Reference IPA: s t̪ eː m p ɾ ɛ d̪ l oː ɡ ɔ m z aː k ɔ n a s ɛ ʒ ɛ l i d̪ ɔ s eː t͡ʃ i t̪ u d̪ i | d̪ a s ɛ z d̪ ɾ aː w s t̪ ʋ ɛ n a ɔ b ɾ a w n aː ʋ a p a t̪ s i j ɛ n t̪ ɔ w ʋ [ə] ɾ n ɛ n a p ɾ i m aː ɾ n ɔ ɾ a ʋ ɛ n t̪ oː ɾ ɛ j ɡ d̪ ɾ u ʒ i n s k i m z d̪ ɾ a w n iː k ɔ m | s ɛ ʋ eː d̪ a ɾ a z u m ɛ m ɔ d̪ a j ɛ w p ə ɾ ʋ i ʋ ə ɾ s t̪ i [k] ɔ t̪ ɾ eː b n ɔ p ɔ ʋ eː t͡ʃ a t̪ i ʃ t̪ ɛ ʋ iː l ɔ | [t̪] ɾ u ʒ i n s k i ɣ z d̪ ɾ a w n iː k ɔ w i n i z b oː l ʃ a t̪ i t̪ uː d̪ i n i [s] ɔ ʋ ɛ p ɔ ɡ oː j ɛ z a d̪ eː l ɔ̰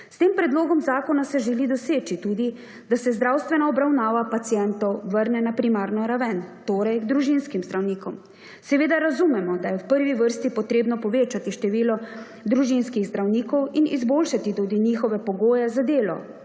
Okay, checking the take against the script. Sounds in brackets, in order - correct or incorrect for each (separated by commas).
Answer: correct, incorrect, incorrect, incorrect